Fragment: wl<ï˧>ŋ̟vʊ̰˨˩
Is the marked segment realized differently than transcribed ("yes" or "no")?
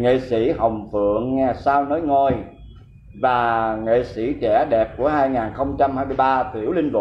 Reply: no